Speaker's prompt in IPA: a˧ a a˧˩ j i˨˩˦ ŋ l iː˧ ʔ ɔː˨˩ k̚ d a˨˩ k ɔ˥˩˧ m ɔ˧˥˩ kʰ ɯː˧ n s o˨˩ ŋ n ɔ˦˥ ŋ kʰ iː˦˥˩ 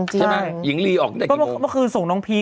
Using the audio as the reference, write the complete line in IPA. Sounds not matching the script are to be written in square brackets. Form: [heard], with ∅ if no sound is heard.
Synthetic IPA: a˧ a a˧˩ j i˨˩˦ ŋ l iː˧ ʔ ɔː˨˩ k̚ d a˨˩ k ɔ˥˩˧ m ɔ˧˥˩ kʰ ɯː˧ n s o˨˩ ŋ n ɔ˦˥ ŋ [pʰ] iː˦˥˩